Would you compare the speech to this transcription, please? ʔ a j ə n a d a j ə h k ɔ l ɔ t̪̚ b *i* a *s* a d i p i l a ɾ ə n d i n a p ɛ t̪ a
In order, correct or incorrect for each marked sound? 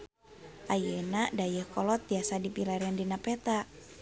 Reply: correct, correct

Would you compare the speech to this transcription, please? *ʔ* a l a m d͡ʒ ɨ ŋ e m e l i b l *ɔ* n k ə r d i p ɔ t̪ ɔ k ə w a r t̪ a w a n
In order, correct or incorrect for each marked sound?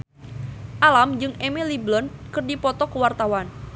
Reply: correct, correct

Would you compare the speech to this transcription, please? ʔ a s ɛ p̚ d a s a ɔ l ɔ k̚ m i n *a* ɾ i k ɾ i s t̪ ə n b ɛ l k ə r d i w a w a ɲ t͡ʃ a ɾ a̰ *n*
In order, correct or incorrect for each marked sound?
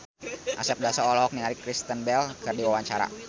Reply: correct, incorrect: none

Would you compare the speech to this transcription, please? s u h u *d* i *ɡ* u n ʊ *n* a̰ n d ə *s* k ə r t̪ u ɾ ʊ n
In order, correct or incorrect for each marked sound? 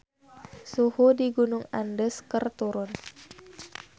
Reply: correct, correct, incorrect: ŋ, correct

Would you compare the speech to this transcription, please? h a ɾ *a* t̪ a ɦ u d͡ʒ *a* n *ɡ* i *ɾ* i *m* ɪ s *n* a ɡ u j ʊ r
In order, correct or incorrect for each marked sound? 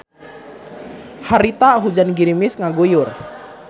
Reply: incorrect: i, correct, correct, correct, correct, incorrect: ŋ

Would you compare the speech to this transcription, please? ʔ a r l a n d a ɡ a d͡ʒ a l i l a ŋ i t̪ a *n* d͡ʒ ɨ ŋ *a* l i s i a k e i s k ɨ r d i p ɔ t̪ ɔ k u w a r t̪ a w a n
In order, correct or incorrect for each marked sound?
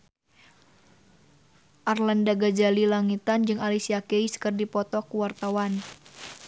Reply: correct, correct

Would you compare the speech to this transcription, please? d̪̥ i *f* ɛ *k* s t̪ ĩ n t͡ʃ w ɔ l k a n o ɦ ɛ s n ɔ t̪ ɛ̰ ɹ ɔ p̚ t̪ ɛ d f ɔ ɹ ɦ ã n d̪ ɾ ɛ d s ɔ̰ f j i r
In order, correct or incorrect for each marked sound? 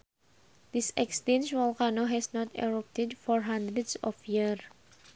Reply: incorrect: s, correct

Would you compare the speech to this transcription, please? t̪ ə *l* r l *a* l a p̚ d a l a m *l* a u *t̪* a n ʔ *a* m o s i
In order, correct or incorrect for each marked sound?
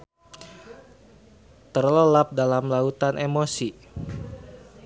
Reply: incorrect: none, incorrect: ə, correct, correct, incorrect: e

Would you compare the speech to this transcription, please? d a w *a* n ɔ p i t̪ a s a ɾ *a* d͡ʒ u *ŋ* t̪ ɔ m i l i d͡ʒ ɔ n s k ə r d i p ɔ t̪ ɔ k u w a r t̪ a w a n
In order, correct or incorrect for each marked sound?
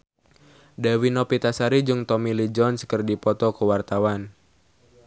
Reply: incorrect: i, incorrect: i, correct

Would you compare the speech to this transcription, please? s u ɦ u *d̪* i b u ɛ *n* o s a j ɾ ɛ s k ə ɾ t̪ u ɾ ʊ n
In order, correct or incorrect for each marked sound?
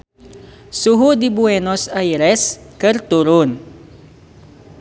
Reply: correct, correct

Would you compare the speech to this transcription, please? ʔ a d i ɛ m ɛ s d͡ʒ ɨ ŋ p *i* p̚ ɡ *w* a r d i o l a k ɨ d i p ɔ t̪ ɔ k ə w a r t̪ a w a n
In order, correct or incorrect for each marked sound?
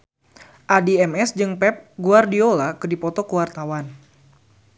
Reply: incorrect: ɛ, incorrect: u

